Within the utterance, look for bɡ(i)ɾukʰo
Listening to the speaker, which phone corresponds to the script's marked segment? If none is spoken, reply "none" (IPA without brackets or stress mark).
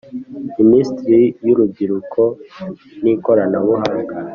i